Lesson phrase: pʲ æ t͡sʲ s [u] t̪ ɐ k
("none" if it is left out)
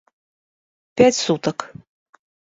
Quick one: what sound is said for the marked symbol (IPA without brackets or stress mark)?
u